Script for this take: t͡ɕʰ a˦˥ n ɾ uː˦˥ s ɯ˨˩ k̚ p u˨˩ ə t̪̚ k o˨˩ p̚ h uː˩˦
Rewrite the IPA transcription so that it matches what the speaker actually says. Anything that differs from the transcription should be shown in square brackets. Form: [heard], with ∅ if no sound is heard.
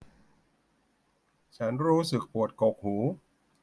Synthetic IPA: t͡ɕʰ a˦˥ n ɾ uː˦˥ s ɯ˨˩ k̚ p u˨˩ ə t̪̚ k o˨˩ [k̚] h uː˩˦